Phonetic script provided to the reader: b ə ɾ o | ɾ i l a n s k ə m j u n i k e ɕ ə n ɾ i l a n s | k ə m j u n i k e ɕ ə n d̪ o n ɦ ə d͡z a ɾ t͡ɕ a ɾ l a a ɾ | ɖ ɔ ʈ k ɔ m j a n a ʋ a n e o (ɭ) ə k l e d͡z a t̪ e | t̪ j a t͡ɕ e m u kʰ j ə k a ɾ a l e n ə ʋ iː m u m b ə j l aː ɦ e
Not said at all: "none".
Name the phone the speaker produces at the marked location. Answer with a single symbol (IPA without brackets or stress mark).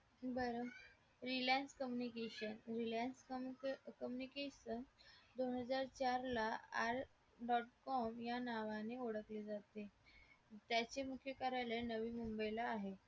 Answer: ɽ